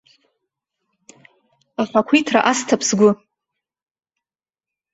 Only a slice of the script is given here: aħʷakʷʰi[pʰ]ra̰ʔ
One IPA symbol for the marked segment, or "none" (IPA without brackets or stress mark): tʰ